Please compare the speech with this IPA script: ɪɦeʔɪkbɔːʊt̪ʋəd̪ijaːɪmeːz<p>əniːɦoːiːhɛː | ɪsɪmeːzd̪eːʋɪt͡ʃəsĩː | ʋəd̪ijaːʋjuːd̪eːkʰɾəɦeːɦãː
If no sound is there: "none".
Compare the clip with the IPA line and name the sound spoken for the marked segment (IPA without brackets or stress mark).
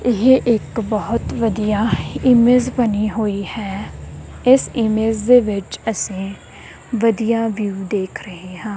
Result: b